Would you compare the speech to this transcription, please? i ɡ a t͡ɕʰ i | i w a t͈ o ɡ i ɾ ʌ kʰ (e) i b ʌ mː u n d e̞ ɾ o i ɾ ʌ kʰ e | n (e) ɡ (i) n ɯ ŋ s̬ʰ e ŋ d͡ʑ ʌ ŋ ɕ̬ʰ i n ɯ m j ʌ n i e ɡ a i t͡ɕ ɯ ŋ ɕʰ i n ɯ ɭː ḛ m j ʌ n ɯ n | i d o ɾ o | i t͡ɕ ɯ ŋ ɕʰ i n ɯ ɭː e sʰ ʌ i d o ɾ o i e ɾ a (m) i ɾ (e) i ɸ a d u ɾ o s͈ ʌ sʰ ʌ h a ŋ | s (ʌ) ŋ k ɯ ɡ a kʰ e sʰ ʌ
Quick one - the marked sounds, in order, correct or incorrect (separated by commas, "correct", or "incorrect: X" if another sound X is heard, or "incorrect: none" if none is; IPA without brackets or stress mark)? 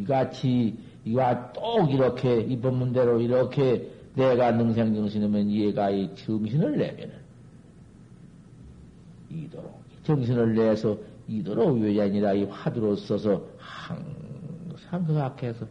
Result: correct, correct, incorrect: a, incorrect: ɲ, incorrect: a, incorrect: a